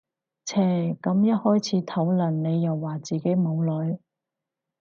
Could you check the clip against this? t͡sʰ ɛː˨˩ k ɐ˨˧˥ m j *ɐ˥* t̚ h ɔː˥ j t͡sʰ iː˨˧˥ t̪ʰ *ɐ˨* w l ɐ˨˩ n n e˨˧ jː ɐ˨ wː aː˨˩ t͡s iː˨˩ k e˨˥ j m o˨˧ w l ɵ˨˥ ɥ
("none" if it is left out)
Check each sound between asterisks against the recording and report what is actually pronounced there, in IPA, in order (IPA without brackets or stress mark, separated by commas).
ɐ˥, ɐ˨˥